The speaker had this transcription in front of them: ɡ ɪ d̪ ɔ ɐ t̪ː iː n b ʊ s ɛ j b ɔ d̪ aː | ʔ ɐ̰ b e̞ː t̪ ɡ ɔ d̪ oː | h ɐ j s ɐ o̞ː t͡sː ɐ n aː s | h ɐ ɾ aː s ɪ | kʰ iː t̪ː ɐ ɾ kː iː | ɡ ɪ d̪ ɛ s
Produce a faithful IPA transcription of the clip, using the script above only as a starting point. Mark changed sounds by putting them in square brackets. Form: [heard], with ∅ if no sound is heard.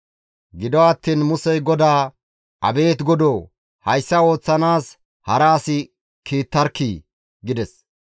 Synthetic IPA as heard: ɡ ɪ d̪ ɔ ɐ t̪ː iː n [m] ʊ s ɛ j [ɡ] ɔ d̪ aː | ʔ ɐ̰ b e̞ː t̪ ɡ ɔ d̪ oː | h ɐ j [sː] ɐ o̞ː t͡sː ɐ n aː s | h ɐ ɾ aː s ɪ | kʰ iː t̪ː ɐ ɾ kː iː | ɡ ɪ d̪ ɛ s